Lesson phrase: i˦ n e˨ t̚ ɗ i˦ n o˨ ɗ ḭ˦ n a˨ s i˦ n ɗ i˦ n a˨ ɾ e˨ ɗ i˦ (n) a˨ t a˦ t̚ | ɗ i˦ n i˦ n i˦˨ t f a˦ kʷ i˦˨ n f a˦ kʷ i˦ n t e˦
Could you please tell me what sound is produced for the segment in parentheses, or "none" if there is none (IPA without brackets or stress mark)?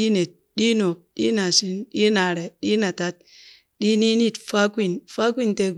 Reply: n